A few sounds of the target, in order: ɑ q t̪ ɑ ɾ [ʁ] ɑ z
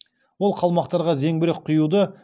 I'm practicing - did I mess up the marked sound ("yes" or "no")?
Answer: no